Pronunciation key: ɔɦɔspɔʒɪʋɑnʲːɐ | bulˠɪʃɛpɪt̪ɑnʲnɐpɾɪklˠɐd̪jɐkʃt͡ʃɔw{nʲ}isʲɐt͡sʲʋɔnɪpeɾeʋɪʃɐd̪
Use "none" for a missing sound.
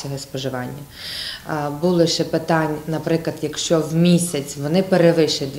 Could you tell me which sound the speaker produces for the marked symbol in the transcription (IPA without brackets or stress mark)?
mʲ